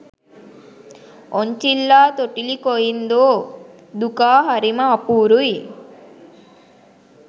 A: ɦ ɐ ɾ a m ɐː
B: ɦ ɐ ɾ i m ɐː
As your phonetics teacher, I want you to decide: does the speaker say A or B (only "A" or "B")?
B